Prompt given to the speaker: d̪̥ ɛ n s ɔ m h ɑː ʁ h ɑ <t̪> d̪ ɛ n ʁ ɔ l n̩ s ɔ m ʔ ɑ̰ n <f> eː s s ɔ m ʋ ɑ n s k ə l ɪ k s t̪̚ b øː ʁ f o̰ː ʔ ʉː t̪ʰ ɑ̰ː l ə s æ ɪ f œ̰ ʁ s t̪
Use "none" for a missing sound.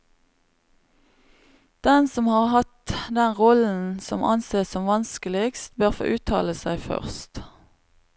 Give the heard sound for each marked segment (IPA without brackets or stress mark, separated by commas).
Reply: t̪, s